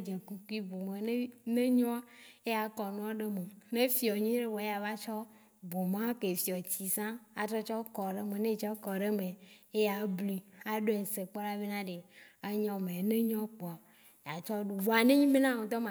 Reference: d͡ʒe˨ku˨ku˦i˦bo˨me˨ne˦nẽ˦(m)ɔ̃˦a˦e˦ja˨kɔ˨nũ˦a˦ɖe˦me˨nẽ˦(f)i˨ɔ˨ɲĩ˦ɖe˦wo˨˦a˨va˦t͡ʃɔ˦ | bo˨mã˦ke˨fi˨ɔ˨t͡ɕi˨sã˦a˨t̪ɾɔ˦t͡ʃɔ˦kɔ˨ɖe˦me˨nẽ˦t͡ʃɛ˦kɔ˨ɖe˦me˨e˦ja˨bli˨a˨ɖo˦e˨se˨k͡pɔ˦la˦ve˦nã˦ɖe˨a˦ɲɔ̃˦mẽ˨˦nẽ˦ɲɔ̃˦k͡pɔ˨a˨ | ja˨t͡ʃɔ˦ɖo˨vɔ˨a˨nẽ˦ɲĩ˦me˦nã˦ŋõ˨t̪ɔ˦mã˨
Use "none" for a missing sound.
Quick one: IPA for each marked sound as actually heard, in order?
ɲ, f

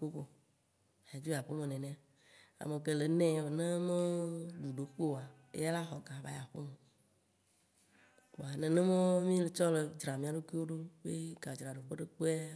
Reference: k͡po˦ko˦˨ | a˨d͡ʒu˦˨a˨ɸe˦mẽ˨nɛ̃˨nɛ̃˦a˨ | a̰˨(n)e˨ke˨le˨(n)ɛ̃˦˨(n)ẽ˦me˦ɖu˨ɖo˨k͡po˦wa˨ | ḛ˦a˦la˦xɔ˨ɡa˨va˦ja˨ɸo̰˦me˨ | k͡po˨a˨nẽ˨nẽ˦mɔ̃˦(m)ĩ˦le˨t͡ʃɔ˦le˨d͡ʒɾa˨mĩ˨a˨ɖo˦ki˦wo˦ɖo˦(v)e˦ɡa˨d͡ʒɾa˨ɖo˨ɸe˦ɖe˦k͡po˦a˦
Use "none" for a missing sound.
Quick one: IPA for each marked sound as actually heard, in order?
m, n, n, m, b

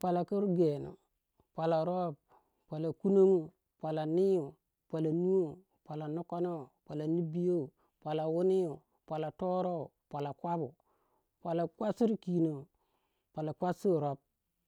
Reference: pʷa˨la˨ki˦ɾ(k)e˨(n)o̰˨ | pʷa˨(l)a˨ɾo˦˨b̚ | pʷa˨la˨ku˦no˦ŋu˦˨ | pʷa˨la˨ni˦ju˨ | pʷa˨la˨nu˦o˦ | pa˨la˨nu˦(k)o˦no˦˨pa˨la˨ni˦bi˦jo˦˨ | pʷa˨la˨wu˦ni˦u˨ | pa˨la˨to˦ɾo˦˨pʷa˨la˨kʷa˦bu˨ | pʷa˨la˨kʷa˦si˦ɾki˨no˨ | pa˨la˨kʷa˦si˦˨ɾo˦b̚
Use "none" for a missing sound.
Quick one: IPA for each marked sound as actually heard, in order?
ɡ, n, l, k

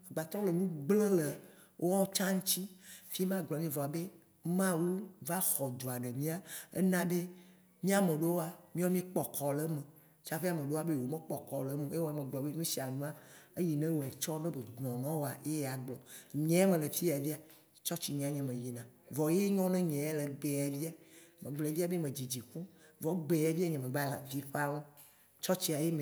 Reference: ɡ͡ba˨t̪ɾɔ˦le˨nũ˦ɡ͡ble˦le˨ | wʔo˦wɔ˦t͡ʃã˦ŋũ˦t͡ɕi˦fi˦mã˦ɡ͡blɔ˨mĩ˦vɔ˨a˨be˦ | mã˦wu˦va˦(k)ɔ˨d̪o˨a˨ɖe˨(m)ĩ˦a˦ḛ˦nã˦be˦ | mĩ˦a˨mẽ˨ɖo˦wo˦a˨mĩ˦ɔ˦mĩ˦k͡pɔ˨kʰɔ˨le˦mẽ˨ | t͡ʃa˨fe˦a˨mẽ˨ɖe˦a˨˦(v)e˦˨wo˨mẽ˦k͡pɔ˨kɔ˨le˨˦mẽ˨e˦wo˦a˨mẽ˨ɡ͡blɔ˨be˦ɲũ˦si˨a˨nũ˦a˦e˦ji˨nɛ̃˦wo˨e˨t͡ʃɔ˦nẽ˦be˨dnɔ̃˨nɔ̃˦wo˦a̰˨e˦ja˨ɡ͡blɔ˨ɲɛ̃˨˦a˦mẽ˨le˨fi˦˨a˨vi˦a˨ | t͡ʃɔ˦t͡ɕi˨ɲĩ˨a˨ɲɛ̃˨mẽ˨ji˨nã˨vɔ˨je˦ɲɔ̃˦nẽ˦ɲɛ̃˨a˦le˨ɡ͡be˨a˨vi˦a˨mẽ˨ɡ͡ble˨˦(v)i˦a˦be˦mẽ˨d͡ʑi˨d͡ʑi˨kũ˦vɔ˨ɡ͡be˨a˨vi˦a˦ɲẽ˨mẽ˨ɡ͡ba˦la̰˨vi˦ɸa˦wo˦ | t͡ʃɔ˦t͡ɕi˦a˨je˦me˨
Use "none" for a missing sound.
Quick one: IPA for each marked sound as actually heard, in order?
x, m, b, v

